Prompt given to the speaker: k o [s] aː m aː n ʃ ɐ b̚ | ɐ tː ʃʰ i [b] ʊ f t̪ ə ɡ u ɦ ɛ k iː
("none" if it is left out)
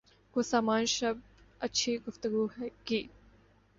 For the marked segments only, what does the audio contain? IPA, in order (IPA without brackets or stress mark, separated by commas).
s, ɡ